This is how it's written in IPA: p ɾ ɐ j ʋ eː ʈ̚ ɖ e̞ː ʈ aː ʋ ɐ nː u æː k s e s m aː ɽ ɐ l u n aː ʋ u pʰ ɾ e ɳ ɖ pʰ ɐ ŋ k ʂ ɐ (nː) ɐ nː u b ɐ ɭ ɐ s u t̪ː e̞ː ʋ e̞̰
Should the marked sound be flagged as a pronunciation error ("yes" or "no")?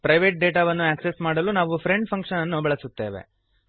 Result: yes